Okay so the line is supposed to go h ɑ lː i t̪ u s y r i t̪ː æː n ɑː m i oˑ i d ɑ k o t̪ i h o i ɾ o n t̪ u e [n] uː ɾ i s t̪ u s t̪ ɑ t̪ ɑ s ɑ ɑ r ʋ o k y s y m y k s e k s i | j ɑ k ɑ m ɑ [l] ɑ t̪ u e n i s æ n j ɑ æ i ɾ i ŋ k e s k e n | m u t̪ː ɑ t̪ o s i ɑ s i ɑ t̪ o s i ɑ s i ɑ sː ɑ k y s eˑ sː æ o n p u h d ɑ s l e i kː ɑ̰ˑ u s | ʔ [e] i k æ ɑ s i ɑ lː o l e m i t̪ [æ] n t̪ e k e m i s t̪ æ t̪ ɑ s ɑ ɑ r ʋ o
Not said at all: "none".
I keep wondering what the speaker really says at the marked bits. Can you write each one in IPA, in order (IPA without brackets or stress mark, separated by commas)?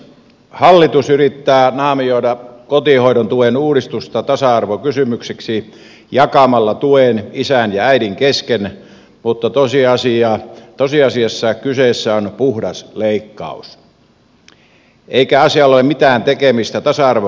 n, lː, e, æː